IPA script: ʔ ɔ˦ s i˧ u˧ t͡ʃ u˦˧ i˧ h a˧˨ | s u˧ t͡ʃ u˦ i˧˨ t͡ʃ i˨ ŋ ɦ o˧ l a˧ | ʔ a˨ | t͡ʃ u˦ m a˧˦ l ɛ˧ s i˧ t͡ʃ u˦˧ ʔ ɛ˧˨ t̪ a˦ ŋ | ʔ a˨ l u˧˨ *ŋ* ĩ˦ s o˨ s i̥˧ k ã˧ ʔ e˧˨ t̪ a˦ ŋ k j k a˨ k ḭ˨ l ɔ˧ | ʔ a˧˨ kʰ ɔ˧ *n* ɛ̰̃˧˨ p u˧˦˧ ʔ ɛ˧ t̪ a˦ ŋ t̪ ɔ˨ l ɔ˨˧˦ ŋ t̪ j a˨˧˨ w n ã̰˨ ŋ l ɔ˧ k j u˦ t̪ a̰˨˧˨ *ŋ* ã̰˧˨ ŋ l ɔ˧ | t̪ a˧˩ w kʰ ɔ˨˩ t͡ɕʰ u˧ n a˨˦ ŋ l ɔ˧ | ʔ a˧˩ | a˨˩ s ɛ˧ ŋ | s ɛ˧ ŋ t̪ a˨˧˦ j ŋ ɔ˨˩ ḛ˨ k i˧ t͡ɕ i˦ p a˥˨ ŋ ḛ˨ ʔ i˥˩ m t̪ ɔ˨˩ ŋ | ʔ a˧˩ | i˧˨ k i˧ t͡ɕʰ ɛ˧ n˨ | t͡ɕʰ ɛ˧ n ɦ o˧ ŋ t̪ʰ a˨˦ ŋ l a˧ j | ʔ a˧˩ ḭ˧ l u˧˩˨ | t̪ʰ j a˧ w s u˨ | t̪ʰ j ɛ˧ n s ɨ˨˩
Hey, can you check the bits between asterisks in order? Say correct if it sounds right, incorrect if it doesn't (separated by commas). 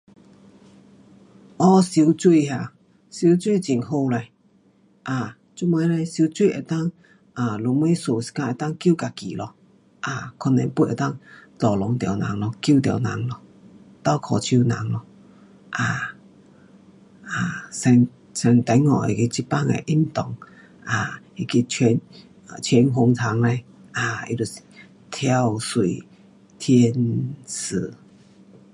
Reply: incorrect, correct, incorrect